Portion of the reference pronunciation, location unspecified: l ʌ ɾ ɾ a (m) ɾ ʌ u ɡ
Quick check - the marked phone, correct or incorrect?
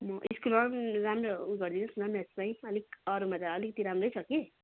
correct